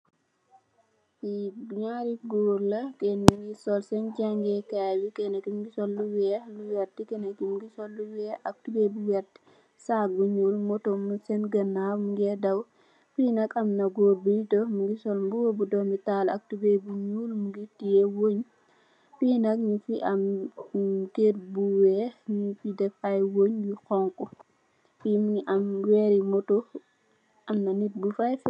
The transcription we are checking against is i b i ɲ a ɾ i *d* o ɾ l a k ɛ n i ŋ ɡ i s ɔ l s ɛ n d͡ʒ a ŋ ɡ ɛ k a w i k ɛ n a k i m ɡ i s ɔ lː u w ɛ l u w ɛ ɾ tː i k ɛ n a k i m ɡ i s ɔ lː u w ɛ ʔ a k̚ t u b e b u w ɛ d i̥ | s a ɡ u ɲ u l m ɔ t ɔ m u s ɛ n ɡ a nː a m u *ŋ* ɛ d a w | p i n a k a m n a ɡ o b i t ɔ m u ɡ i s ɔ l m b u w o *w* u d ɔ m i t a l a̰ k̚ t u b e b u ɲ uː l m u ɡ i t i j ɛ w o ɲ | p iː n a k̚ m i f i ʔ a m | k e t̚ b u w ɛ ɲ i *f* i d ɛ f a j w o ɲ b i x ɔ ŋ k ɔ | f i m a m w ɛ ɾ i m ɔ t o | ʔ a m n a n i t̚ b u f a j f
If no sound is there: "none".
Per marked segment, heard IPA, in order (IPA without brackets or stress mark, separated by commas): ɡ, ɡ, b, f